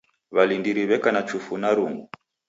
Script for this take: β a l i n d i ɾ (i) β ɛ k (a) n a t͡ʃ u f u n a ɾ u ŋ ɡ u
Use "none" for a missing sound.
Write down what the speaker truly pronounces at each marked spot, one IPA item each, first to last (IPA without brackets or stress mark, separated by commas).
i, a